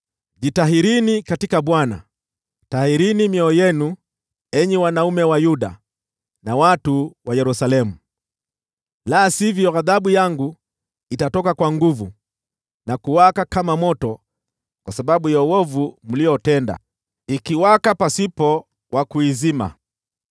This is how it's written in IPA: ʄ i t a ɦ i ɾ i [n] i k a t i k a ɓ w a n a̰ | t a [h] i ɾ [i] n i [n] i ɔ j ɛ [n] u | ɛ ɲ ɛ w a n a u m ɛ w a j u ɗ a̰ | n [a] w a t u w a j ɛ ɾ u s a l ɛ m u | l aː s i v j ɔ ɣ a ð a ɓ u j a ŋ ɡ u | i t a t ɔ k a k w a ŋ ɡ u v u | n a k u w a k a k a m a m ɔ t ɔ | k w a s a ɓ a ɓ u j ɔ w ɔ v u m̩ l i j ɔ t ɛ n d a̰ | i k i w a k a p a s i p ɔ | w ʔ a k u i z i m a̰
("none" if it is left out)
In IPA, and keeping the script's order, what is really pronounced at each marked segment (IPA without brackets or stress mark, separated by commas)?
n, h, i, m, n, a